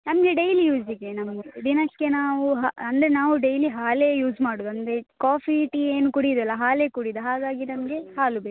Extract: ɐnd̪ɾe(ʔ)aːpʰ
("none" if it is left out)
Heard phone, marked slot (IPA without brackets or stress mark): k